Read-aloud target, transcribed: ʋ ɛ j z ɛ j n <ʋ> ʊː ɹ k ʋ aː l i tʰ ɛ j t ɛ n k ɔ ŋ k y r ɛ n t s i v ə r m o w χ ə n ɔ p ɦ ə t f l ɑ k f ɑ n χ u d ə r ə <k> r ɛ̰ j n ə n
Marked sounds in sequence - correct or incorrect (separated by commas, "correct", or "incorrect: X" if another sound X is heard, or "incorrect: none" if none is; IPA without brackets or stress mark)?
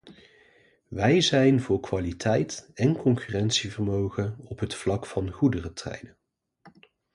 incorrect: v, incorrect: t